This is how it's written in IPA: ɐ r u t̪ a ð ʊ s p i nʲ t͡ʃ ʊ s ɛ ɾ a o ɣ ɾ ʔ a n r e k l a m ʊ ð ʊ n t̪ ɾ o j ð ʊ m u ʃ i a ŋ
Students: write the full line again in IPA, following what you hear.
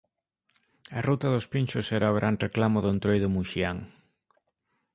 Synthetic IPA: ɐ r u t̪ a ð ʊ s p i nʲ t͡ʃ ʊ s ɛ ɾ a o ɣ ɾ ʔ a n r e k l a m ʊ ð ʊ n t̪ ɾ o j ð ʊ m u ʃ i a ŋ